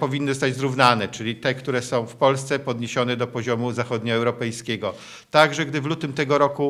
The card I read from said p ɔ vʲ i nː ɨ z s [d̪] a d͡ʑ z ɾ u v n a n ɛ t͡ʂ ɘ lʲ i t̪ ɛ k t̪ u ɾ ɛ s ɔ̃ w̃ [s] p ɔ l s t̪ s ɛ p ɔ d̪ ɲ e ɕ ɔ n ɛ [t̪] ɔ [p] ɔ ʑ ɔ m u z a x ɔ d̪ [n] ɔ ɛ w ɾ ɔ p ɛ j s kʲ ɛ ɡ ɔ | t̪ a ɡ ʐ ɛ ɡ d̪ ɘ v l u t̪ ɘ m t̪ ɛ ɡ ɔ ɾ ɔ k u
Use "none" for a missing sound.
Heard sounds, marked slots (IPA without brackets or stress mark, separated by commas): t̪, f, d̪, p, ɲ